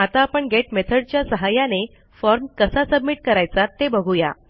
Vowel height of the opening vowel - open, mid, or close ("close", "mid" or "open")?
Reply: open